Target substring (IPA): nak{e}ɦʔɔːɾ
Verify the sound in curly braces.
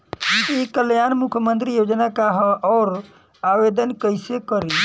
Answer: incorrect: a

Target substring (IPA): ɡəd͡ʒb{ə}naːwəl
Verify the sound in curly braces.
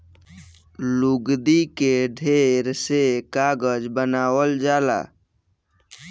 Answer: correct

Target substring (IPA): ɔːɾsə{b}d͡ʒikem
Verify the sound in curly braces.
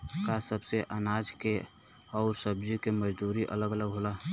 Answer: correct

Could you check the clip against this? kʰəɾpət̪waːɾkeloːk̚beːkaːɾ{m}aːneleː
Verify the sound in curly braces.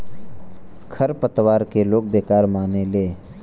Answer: correct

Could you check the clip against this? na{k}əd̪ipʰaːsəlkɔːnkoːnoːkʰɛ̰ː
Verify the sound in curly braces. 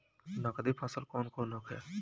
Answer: correct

